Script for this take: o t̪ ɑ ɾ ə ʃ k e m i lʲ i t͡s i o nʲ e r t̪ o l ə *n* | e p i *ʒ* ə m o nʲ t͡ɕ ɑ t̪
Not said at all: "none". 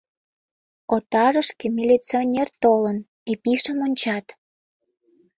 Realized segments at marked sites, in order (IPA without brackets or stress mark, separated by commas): n, ʃ